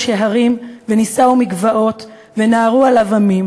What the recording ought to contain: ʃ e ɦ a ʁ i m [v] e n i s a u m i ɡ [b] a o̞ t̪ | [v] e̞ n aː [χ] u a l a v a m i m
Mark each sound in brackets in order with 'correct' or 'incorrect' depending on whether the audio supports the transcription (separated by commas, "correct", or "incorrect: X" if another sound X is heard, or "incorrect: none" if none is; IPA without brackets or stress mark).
correct, incorrect: v, correct, incorrect: ʁ